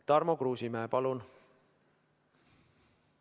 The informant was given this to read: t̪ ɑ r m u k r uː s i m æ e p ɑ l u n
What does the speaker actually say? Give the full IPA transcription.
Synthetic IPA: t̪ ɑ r m o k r uː s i m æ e p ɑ l u n